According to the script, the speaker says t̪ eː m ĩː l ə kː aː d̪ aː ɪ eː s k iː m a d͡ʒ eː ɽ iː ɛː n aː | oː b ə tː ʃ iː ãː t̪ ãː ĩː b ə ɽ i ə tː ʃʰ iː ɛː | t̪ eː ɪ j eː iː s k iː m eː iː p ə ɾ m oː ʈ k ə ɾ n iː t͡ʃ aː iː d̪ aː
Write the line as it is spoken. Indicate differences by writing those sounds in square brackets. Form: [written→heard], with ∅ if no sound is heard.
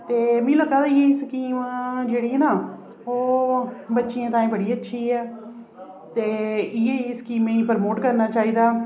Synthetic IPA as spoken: t̪ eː m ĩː l ə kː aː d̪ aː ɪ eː s k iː m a d͡ʒ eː ɽ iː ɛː n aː | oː b ə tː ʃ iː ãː t̪ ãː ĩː b ə ɽ [i→iː] ə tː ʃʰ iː ɛː | t̪ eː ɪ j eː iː s k iː m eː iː p ə ɾ m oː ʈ k ə ɾ n [iː→aː] t͡ʃ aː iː d̪ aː